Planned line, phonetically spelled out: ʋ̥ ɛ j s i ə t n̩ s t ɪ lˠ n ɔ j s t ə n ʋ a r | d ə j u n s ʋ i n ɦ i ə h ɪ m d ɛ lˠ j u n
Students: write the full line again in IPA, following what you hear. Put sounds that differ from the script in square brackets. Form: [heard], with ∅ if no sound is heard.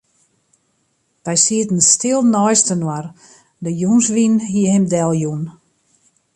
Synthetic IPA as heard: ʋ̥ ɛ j s i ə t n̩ s t ɪ lˠ n ɔ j s t ə n [w] a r | d ə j u n s ʋ i n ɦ i ə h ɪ m d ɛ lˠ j u n